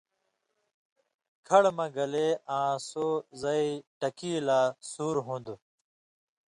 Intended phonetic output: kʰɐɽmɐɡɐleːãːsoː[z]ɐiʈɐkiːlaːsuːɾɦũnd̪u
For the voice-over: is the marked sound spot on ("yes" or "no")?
yes